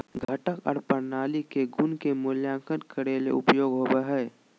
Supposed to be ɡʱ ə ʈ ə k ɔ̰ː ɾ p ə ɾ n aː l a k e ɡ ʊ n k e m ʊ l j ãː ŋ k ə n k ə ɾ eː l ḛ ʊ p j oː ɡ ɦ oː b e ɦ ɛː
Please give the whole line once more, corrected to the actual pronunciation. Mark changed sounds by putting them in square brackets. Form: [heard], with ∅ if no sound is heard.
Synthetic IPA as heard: ɡʱ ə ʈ ə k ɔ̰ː ɾ p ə ɾ n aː l [i] k e ɡ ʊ n k e m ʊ l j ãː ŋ k ə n k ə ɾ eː l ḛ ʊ p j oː ɡ ɦ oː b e ɦ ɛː

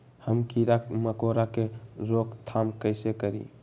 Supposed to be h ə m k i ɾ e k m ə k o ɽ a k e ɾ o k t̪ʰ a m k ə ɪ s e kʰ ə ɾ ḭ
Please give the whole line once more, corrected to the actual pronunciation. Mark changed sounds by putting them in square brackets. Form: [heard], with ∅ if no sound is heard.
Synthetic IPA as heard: h ə m k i ɾ [a] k m ə k o [ɾ] a k e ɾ o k t̪ʰ a m k ə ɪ s e [k] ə ɾ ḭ

